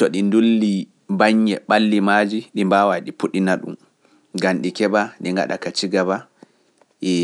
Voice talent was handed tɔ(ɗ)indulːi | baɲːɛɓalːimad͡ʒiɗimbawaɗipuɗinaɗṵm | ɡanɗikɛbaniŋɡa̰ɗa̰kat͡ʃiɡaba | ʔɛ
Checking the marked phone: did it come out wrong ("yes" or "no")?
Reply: no